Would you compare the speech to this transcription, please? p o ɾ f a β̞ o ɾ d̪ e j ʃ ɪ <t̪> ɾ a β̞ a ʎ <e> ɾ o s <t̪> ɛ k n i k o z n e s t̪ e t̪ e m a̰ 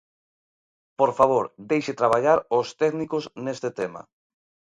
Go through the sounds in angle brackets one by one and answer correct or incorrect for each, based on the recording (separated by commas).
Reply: correct, incorrect, correct